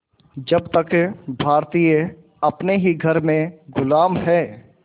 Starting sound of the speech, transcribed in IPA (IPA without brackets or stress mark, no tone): d͡ʒ